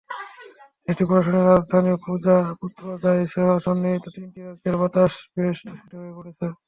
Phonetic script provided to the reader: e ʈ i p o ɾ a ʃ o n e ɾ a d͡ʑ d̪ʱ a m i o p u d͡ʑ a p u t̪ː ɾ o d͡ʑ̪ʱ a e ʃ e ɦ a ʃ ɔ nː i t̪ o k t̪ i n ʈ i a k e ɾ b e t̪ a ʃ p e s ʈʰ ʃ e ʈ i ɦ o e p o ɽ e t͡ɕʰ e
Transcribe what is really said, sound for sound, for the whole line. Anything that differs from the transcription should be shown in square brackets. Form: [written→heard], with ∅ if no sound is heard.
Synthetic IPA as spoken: e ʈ i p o ɾ a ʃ o n e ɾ a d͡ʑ d̪ʱ a [m→n] i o p u d͡ʑ a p u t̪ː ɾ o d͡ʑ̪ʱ a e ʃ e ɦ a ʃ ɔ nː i t̪ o [k→∅] t̪ i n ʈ i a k e ɾ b [e→a] t̪ a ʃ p e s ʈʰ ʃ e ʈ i ɦ o e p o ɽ e t͡ɕʰ e